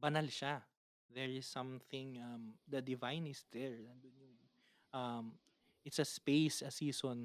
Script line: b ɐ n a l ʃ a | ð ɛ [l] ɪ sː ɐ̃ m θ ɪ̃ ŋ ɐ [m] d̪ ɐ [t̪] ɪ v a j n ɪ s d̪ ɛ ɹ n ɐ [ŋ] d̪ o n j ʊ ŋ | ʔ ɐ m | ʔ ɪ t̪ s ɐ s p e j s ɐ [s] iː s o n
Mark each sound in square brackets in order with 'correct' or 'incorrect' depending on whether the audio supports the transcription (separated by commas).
incorrect, correct, incorrect, incorrect, correct